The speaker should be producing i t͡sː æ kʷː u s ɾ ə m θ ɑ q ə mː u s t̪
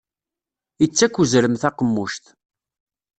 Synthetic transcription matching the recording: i t͡sː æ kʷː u z ɾ ə m θ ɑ q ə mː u ʃ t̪